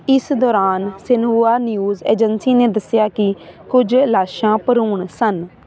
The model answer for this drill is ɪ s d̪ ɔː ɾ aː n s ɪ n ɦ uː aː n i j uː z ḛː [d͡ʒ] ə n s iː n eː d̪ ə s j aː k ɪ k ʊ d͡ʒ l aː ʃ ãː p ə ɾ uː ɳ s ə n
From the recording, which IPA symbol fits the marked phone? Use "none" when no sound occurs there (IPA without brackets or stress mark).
d͡ʒ